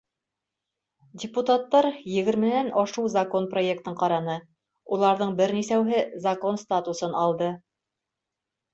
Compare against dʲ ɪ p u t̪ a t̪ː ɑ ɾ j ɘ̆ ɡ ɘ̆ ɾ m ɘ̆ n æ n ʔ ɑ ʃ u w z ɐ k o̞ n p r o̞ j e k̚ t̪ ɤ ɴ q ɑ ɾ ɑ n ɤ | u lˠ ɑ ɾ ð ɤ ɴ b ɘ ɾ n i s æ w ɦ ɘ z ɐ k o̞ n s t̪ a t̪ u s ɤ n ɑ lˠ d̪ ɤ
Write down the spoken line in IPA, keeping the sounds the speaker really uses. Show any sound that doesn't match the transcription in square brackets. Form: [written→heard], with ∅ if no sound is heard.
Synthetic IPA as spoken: dʲ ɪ p u t̪ a t̪ː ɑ ɾ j ɘ̆ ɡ ɘ̆ ɾ m ɘ̆ n æ n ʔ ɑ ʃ u w z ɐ k o̞ n p r o̞ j e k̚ t̪ ɤ ɴ q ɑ ɾ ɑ n ɤ | u lˠ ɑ ɾ ð ɤ ɴ b ɘ ɾ n i s æ w ɦ ɘ z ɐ k o̞ n s t̪ a t̪ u s ɤ n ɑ lˠ d̪ ɤ

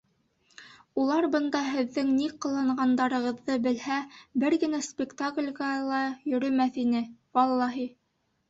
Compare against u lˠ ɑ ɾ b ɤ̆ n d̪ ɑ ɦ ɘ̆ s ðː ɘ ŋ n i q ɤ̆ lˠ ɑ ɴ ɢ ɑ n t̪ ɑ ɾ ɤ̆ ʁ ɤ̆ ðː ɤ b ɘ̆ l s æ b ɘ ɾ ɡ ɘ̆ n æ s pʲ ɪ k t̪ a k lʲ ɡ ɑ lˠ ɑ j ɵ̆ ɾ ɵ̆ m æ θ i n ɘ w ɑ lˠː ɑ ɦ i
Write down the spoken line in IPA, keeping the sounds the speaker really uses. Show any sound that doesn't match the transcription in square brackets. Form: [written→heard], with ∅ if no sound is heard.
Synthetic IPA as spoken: u lˠ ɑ ɾ b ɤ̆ n d̪ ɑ ɦ ɘ̆ [s→∅] ðː ɘ ŋ n i q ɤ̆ lˠ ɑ ɴ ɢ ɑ n [t̪→d̪] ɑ ɾ ɤ̆ ʁ ɤ̆ ðː ɤ b ɘ̆ l [s→h] æ b ɘ ɾ ɡ ɘ̆ n æ s pʲ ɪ k t̪ a k lʲ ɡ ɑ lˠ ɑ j ɵ̆ ɾ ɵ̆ m æ θ i n ɘ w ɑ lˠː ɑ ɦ i

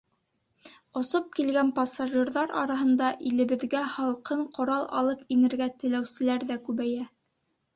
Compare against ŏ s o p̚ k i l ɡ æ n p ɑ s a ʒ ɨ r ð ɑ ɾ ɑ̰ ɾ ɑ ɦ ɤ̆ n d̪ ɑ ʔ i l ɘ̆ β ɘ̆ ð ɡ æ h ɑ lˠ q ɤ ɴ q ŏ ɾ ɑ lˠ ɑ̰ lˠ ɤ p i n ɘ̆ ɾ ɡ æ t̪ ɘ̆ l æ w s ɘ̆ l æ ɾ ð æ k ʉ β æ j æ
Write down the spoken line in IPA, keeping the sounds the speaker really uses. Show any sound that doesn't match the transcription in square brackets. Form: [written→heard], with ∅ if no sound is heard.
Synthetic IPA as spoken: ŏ s o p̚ k i l ɡ æ n p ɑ s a ʒ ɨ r ð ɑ ɾ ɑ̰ ɾ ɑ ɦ ɤ̆ n d̪ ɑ ʔ i l ɘ̆ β ɘ̆ ð ɡ æ h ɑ lˠ q ɤ ɴ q ŏ ɾ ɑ lˠ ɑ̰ lˠ ɤ p i n ɘ̆ ɾ ɡ æ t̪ ɘ̆ l æ w s ɘ̆ l æ ɾ ð æ k ʉ β æ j æ

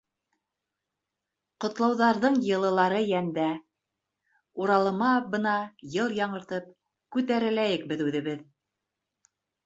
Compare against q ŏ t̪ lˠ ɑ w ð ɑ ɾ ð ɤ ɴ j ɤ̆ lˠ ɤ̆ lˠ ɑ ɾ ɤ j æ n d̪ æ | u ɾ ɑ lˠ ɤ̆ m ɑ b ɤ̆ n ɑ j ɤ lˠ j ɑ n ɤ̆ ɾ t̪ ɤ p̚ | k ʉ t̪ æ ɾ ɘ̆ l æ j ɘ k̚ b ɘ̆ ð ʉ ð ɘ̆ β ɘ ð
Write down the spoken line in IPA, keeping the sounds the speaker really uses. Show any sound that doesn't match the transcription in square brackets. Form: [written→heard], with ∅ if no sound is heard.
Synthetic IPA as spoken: q ŏ t̪ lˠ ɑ w ð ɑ ɾ ð ɤ ɴ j ɤ̆ lˠ ɤ̆ lˠ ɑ ɾ ɤ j æ n d̪ æ | u ɾ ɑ lˠ ɤ̆ m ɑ b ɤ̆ n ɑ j ɤ lˠ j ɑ [n→ɴ] ɤ̆ ɾ t̪ ɤ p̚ | k ʉ t̪ æ ɾ ɘ̆ l æ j ɘ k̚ b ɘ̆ ð ʉ ð ɘ̆ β ɘ ð

